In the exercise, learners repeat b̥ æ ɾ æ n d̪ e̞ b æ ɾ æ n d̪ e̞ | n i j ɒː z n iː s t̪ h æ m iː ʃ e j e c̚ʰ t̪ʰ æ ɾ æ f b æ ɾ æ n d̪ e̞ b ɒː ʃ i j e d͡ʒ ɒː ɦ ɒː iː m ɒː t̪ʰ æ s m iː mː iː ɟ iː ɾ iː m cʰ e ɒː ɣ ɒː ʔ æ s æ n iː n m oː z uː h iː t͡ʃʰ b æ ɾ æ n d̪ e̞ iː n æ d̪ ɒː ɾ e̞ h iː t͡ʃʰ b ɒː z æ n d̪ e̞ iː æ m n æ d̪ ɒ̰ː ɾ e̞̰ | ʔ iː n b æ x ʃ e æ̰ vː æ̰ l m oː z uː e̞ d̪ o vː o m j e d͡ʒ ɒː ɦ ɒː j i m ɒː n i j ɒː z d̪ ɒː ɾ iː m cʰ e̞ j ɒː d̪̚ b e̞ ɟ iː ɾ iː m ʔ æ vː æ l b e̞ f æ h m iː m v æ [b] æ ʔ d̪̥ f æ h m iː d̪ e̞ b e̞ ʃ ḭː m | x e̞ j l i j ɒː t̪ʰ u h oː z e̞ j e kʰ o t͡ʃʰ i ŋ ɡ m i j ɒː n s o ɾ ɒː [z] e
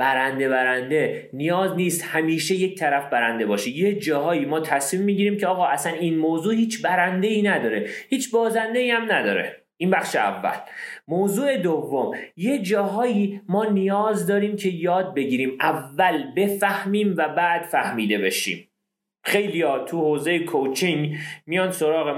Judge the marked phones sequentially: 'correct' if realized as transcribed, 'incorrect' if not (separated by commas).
correct, incorrect